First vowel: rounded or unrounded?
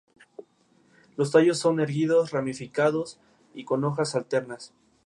rounded